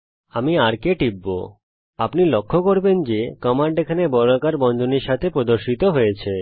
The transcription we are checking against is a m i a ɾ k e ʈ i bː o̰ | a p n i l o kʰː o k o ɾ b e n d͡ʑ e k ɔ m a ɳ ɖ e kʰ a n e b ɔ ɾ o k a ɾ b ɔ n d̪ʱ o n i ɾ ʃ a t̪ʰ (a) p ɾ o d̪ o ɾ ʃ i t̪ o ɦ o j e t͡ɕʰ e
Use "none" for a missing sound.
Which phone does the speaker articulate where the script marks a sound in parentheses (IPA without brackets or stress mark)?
e